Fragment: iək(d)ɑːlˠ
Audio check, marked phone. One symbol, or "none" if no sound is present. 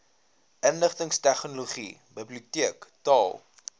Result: t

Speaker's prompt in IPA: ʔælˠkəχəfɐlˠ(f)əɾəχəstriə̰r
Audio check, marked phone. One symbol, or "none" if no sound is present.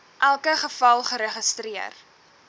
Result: χ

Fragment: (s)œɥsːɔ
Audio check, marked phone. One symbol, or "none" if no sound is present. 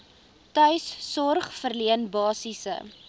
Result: t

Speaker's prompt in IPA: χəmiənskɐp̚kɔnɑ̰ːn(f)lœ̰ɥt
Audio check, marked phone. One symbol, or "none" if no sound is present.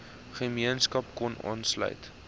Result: s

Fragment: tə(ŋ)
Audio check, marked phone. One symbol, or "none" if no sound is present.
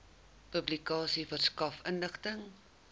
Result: ŋ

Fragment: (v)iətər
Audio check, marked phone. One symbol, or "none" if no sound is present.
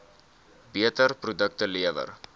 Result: b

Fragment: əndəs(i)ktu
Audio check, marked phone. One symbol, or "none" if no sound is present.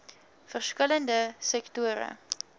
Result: ɛ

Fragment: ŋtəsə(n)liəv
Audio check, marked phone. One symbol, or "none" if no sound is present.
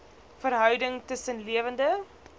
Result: n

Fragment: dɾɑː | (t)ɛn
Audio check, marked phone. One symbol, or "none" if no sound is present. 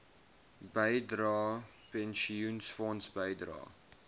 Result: p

